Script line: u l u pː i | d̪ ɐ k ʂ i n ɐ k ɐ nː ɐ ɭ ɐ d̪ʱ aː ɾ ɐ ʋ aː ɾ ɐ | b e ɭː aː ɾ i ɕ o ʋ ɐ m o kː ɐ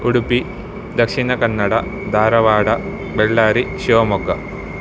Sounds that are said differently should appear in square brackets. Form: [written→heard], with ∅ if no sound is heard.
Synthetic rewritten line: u [l→ɽ] u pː i | d̪ ɐ k ʂ i n ɐ k ɐ nː ɐ [ɭ→ɽ] ɐ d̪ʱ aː ɾ ɐ ʋ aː [ɾ→ɽ] ɐ | b e ɭː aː ɾ i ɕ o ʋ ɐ m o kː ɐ

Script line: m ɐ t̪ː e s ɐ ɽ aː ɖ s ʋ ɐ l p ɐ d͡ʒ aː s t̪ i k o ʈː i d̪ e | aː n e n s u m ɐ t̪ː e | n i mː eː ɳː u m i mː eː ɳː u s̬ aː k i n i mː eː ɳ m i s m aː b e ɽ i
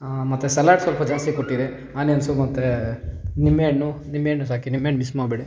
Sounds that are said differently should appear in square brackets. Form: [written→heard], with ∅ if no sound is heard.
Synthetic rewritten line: m ɐ t̪ː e s ɐ [ɽ→l] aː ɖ s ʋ ɐ l p ɐ d͡ʒ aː s t̪ i k o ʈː i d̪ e | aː n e n s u m ɐ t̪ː e | n i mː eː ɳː u [m→n] i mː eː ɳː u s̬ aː k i n i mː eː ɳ m i s m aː b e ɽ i

